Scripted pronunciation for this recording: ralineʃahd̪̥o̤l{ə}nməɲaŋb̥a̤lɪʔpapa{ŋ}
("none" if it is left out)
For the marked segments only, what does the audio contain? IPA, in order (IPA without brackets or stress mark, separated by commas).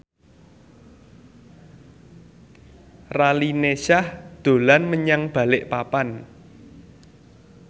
a, n